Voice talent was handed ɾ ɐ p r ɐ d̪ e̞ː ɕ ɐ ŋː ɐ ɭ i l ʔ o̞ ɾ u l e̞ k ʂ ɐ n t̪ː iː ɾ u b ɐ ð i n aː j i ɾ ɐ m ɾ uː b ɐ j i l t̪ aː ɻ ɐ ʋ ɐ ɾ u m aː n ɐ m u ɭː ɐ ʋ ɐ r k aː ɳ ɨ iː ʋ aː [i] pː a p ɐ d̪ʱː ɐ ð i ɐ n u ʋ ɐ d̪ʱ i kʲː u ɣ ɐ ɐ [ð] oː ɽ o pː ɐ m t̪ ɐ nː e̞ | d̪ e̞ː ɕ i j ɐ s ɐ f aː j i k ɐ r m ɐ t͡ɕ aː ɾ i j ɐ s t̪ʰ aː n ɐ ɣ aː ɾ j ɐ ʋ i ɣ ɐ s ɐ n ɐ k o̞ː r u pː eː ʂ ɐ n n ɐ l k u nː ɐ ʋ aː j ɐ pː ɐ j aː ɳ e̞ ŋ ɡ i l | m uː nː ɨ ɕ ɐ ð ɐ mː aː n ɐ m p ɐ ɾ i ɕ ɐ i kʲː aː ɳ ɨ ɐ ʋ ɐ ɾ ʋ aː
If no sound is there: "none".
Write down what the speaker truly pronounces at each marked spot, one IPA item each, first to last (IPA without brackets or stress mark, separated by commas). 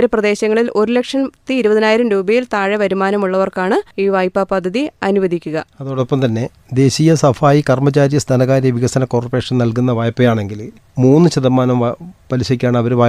j, ð